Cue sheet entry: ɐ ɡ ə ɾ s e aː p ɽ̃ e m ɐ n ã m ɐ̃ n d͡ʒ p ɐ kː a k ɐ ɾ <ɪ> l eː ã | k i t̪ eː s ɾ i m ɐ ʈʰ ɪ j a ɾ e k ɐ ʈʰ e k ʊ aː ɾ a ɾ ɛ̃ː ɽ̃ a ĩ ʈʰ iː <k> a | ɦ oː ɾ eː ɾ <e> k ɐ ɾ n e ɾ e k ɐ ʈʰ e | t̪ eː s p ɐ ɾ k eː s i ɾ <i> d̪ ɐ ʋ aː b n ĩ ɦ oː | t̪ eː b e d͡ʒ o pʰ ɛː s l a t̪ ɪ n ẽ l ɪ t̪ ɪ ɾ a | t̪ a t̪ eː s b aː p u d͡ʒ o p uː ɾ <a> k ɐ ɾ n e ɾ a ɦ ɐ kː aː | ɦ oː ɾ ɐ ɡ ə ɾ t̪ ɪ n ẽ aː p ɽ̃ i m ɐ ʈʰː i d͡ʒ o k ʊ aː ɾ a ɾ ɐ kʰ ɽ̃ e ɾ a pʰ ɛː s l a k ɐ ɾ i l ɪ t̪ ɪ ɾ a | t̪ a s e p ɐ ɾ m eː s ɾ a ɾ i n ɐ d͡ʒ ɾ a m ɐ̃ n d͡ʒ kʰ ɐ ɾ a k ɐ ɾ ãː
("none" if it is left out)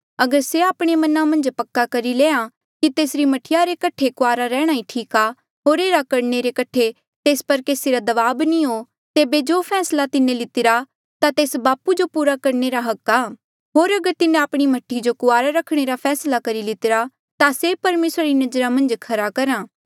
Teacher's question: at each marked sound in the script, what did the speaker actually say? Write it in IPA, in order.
i, k, a, a, a

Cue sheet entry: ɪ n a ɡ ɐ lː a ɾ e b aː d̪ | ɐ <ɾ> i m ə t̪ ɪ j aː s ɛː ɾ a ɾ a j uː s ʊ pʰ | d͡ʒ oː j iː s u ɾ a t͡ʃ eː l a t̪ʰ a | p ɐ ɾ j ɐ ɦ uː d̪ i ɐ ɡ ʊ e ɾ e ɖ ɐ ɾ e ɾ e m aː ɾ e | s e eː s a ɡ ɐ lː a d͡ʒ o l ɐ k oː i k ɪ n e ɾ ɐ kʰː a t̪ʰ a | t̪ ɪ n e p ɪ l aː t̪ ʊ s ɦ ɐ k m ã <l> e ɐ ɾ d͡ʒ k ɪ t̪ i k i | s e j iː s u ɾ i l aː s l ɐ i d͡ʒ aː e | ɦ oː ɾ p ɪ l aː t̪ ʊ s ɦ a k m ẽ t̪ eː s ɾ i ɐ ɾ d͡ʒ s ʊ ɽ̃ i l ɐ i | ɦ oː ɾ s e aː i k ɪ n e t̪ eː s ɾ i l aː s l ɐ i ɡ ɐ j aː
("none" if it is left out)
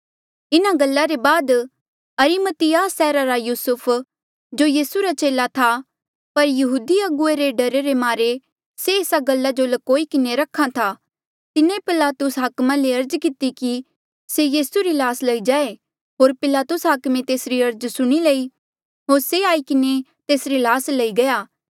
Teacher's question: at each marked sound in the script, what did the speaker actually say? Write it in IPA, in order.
ɾ, l

